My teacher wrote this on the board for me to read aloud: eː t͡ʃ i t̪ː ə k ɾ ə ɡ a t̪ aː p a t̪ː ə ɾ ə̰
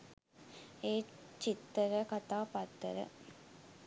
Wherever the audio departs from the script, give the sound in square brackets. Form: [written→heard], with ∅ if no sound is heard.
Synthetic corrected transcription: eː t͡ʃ i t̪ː ə [k→∅] ɾ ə [ɡ→k] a t̪ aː p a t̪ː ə ɾ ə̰

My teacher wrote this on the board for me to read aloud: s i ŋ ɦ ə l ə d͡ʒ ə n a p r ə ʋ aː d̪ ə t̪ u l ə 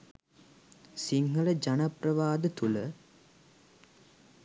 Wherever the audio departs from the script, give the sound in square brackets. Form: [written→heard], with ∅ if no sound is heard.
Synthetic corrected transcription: s i ŋ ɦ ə l ə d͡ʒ [ə→a] n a p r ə ʋ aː d̪ ə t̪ u l ə

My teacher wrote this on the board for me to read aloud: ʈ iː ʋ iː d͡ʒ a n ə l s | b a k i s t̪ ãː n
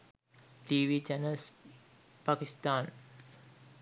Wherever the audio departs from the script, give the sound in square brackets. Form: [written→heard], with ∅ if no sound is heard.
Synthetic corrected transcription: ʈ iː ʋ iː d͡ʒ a n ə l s | [b→p] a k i s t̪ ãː n

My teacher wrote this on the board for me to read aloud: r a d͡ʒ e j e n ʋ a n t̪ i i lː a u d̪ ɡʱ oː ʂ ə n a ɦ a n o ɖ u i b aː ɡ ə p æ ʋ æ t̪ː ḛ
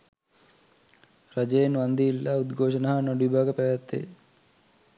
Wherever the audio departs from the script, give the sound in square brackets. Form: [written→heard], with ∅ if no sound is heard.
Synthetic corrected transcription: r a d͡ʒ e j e n ʋ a n [t̪→d̪] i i lː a u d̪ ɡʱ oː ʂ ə n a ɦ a n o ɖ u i b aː ɡ ə p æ ʋ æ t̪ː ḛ

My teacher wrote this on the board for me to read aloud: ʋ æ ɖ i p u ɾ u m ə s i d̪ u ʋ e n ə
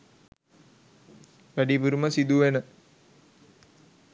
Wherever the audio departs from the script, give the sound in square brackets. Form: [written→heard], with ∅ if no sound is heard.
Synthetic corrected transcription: ʋ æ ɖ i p u ɾ u m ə s i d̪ u ʋ e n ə

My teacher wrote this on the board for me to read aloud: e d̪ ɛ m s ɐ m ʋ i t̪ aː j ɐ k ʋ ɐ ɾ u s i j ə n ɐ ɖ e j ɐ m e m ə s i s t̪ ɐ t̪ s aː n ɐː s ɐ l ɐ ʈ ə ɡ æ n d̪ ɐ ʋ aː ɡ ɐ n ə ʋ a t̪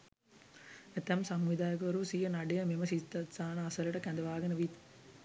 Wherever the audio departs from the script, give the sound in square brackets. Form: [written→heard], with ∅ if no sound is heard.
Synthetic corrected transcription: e [d̪→t̪] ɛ m s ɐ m ʋ i [t̪→d̪] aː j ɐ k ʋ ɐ ɾ u s i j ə n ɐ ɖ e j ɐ m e m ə s i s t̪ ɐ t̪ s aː n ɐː s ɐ l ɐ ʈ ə [ɡ→k] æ n d̪ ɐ ʋ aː ɡ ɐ n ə ʋ [a→i] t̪

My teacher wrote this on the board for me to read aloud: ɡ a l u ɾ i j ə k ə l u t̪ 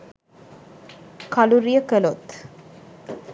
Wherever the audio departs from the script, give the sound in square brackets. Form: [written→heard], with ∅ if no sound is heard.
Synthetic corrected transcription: [ɡ→k] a l u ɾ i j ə k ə l [u→o] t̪

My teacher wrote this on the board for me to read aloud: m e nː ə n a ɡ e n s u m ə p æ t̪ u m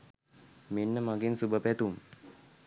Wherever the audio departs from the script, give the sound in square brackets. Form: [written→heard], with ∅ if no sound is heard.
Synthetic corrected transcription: m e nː ə [n→m] a ɡ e n s u [m→b] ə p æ t̪ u m

